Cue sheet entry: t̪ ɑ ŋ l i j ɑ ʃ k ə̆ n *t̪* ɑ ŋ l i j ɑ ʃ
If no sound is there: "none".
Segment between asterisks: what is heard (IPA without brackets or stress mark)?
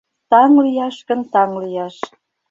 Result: t̪